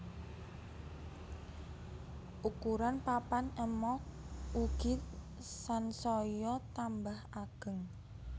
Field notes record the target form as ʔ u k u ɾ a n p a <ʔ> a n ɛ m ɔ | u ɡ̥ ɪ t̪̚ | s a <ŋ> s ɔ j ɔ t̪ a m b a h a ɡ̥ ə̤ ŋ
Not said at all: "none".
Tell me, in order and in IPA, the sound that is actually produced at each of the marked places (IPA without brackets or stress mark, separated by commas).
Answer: p, n